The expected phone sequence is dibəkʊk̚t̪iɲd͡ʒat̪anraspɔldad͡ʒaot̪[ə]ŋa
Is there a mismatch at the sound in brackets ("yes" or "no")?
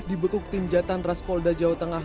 no